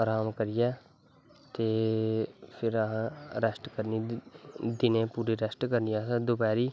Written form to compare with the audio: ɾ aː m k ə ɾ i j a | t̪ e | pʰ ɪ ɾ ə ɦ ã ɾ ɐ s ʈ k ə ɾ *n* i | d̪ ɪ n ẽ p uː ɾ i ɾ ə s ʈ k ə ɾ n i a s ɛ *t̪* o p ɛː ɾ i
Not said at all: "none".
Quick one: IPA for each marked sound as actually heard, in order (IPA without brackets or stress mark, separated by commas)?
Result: n, d̪